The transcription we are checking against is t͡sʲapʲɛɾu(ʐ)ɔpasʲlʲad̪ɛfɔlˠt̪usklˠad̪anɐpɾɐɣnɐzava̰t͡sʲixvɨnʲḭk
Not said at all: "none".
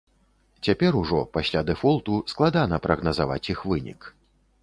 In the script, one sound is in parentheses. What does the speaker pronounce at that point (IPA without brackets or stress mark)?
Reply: ʐ